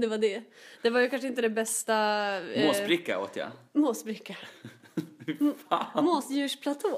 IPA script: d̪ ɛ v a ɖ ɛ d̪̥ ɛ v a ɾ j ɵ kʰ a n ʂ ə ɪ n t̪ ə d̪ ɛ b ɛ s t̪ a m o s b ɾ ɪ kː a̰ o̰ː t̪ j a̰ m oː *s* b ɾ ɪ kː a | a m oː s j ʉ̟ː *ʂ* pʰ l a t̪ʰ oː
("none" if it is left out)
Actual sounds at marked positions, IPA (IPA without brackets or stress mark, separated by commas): s, ʂ